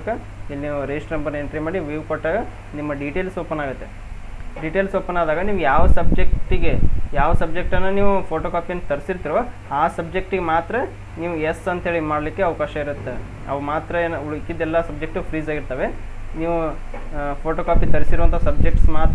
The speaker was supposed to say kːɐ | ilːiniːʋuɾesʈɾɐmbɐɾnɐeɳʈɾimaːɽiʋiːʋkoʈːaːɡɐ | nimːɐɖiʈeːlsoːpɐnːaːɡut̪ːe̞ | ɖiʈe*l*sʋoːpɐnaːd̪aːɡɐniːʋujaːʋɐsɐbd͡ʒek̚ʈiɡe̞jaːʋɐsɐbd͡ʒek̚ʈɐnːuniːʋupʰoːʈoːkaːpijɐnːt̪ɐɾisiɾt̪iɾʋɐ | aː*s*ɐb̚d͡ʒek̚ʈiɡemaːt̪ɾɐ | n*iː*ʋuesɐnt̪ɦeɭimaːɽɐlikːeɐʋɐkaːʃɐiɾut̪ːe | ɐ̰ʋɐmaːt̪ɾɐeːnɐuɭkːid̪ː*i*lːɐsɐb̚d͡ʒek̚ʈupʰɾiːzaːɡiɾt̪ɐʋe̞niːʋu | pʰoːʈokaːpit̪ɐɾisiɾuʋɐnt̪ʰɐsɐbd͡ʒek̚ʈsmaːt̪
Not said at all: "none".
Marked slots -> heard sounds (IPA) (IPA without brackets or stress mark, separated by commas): l, s, iː, ɛ